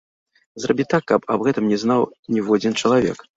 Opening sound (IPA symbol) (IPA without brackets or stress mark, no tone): z